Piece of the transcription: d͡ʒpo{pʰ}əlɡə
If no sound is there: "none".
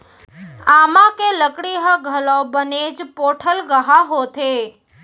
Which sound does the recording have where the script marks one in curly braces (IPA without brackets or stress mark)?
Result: ʈʰ